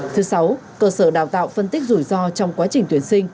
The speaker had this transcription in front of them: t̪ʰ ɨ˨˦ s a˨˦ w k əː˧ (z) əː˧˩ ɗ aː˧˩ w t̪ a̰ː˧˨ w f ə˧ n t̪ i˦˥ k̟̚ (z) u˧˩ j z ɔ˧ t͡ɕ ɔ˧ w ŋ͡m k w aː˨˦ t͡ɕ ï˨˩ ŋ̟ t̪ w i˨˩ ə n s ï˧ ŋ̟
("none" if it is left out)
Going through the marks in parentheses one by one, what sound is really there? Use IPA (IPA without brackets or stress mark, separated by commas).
s, z